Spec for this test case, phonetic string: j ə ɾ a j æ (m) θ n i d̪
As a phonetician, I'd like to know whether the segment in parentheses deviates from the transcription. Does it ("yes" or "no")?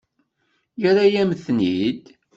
no